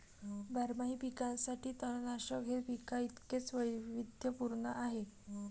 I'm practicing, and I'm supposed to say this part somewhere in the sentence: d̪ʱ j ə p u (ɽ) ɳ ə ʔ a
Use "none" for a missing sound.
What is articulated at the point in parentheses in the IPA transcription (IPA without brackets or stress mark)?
ɾ